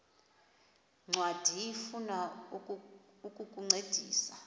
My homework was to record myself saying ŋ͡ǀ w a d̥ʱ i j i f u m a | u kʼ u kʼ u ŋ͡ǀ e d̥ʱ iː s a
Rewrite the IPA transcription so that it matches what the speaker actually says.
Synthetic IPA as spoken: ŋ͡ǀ w a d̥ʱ i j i f u n a | u kʼ u kʼ u ŋ͡ǀ e d̥ʱ iː s a